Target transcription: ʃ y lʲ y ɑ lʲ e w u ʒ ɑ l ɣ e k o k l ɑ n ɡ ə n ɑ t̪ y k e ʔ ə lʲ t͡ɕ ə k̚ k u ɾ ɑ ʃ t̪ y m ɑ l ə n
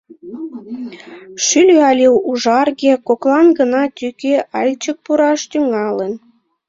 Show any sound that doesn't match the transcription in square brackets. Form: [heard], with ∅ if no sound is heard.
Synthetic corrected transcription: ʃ y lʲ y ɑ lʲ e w u ʒ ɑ [r] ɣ e k o k l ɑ n ɡ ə n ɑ t̪ y k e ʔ [ɑ] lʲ t͡ɕ ə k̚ [p] u ɾ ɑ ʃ t̪ y [ŋ] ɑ l ə n